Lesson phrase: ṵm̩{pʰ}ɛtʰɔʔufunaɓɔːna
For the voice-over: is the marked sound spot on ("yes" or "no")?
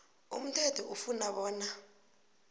no